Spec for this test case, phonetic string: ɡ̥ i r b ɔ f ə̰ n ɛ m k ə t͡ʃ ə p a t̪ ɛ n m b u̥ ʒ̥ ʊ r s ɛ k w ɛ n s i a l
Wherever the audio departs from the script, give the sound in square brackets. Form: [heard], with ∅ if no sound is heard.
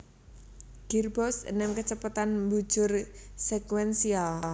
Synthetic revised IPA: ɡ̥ i r b ɔ [s] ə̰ n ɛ m k ə t͡ʃ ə p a t̪ [a] n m b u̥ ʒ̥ ʊ r s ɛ k w ɛ n s i a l